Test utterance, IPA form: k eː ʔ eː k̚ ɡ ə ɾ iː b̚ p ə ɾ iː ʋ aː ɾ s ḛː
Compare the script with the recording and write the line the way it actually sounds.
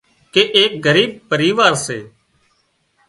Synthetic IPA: k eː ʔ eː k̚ ɡ ə ɾ iː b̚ p ə ɾ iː ʋ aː ɾ s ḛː